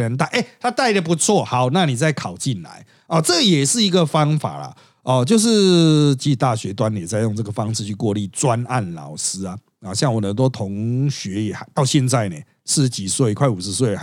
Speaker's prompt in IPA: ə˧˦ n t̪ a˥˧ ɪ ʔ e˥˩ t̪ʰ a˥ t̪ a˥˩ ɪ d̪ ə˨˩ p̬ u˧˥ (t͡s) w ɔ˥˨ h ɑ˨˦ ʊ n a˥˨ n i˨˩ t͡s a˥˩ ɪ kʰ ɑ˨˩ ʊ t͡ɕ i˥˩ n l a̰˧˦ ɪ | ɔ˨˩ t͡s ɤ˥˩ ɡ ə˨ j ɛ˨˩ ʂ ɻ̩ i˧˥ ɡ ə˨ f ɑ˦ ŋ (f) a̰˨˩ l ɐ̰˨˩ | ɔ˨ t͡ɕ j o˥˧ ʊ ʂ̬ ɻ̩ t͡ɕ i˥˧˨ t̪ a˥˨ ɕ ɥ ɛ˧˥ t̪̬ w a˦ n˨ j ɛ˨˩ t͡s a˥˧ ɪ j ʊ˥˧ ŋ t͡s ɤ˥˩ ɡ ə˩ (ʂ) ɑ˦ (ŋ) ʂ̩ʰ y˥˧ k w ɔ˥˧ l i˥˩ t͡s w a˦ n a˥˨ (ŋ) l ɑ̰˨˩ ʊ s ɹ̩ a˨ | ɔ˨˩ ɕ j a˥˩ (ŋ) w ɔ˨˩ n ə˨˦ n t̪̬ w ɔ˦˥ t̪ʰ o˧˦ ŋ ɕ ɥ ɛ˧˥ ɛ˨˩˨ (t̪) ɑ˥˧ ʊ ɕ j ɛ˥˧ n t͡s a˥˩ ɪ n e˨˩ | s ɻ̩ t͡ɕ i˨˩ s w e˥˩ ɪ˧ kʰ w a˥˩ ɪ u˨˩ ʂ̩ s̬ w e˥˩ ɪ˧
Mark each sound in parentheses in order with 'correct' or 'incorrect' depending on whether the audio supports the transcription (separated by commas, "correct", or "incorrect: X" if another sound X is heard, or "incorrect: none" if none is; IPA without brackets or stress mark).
incorrect: t͡sʰ, correct, incorrect: f, correct, incorrect: n, correct, correct